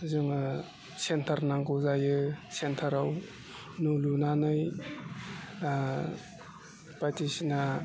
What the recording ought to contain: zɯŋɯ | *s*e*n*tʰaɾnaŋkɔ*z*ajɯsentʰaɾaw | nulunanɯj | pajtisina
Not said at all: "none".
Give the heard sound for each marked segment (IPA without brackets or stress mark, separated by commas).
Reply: s, n, z